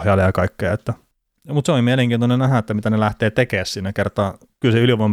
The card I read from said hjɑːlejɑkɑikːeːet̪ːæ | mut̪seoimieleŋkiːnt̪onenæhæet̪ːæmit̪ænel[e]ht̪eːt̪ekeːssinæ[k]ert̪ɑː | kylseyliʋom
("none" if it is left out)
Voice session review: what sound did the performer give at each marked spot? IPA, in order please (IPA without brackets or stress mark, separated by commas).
æ, k